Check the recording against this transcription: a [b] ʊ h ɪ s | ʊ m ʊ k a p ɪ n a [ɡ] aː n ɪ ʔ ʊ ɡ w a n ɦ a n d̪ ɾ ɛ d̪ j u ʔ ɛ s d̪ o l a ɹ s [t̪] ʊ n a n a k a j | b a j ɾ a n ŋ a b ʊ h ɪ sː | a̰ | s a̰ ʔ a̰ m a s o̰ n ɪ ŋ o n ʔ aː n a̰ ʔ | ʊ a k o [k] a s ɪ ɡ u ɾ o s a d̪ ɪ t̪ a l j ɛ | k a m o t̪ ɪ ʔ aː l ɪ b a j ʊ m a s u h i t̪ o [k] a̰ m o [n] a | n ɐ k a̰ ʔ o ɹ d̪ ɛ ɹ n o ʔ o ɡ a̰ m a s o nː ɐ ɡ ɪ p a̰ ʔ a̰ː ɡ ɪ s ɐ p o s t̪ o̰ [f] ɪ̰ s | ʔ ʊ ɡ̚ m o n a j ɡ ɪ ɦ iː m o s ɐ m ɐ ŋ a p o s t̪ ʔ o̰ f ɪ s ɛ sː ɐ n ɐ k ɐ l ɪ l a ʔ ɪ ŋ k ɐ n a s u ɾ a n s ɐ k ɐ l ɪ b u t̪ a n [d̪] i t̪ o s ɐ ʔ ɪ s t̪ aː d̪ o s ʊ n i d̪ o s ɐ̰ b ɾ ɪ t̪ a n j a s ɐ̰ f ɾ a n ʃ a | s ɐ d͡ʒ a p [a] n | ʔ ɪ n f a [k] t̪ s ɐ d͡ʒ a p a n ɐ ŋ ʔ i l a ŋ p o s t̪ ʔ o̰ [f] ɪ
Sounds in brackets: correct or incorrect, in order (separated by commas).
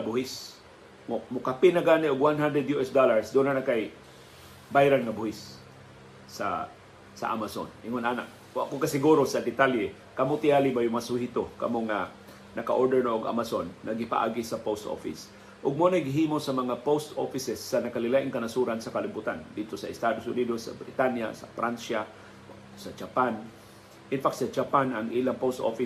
correct, correct, incorrect, correct, correct, incorrect, correct, correct, correct, correct, correct